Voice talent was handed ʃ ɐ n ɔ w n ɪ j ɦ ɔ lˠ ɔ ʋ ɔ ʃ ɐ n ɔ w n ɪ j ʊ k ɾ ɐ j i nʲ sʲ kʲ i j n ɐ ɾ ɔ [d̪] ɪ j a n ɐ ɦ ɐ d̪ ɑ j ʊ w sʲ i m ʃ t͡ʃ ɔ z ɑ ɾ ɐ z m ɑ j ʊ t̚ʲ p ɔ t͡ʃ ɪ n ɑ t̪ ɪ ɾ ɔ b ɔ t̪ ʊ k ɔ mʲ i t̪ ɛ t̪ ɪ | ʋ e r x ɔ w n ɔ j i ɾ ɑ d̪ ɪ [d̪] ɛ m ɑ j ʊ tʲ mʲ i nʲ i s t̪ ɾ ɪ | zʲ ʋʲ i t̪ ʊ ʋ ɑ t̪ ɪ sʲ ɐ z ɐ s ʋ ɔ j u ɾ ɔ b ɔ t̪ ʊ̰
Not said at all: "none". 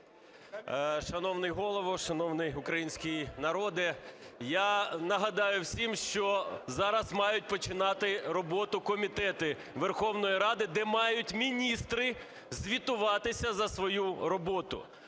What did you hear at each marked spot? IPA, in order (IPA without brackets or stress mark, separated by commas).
d̪, d̪